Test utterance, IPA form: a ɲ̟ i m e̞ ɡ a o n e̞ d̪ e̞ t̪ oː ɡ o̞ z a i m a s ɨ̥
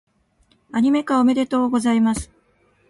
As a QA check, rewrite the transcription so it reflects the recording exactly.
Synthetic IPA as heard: a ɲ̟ i m e̞ k a o m e̞ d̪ e̞ t̪ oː ɡ o̞ z a i m a s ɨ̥

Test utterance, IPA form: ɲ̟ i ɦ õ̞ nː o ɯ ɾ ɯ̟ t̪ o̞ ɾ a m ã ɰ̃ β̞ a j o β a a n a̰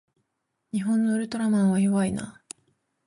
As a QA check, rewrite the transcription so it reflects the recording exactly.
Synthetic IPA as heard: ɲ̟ i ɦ õ̞ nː o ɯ ɾ ɯ̟ t̪ o̞ ɾ a m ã ɰ̃ β̞ a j o β a i n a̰

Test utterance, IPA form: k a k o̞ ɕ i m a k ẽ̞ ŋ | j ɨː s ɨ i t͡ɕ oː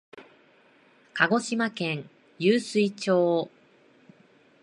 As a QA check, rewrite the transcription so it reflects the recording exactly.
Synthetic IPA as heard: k a ɡ o̞ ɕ i m a k ẽ̞ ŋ | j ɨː s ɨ i t͡ɕ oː

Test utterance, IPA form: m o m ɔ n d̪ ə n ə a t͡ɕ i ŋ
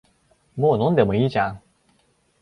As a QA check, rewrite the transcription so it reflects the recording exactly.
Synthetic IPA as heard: m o n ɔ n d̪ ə m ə i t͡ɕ a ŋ

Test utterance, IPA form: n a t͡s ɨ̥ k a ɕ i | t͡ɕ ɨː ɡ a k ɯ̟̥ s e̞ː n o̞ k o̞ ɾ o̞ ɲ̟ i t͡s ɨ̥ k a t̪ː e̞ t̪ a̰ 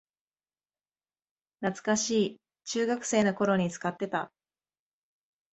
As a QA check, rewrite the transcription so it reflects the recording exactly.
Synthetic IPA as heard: n a t͡s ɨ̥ k a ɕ iː | t͡ɕ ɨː ɡ a k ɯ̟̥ s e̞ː n o̞ k o̞ ɾ o̞ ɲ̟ i t͡s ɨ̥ k a t̪ː e̞ t̪ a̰

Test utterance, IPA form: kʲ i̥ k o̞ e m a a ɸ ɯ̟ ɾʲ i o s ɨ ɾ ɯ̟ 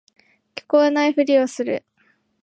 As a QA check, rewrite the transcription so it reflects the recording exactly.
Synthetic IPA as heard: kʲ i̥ k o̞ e n a i ɸ ɯ̟ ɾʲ i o s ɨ ɾ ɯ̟

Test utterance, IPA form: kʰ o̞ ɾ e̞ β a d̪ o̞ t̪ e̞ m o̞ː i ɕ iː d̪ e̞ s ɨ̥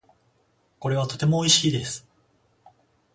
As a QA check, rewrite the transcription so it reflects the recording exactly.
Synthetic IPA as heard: k o̞ ɾ e̞ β a t̪ o̞ t̪ e̞ m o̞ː i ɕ iː d̪ e̞ s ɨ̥

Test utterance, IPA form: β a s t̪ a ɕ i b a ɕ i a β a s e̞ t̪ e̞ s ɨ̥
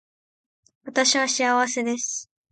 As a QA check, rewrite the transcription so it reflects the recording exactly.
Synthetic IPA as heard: β a t̪ a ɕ i β a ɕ i a β a s e̞ d̪ e̞ s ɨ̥

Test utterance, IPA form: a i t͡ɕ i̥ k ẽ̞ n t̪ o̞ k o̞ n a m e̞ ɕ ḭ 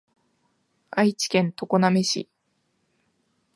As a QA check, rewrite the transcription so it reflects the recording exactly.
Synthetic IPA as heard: a i t͡ɕ i̥ k ẽ̞ n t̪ o̞ k o̞ n a m e̞ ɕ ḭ

